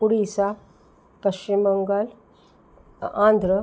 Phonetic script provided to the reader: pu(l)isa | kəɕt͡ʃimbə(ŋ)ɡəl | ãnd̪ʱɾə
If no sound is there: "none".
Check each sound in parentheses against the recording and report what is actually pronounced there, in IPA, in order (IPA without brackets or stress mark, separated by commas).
ɽ, ŋ